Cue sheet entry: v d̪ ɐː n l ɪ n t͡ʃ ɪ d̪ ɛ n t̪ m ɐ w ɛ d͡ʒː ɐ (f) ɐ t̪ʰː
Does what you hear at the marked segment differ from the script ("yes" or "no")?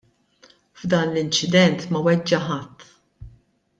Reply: yes